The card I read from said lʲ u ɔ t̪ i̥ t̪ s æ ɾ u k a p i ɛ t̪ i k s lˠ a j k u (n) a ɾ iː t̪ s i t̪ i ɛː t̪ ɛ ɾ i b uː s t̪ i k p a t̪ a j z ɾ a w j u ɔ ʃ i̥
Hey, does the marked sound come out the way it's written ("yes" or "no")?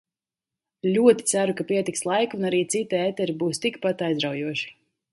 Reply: yes